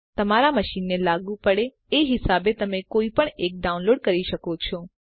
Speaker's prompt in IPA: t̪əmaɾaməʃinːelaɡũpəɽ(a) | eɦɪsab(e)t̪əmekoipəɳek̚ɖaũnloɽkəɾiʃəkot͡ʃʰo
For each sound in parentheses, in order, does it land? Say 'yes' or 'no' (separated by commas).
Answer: no, yes